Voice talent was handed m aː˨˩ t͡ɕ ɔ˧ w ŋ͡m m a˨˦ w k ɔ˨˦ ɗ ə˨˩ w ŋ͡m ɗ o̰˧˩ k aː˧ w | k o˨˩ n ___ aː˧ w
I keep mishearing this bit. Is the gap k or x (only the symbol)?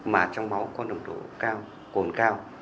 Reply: k